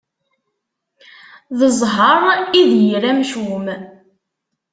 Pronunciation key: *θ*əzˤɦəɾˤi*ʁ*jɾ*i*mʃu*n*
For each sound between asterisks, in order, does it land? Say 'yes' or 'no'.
no, no, no, no

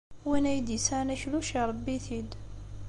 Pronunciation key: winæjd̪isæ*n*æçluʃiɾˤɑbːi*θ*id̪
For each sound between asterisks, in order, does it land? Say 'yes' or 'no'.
yes, yes

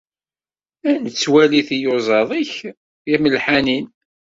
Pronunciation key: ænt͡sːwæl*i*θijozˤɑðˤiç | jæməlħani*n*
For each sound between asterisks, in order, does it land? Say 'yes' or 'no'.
yes, yes

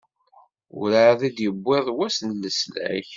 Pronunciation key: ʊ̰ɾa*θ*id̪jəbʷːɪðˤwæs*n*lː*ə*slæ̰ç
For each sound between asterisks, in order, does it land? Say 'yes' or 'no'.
no, yes, yes

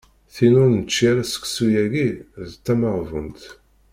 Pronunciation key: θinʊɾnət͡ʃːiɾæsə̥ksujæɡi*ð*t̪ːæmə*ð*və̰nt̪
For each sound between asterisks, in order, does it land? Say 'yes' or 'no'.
yes, no

